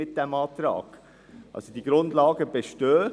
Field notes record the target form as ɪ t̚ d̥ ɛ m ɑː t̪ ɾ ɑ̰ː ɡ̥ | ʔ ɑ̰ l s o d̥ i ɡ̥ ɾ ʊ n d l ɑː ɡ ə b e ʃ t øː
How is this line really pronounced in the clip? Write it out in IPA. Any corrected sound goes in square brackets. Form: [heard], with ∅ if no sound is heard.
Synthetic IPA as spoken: ɪ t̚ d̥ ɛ m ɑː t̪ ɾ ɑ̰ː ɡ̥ | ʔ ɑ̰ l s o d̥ i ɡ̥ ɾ ʊ n d l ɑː ɡ ə b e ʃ t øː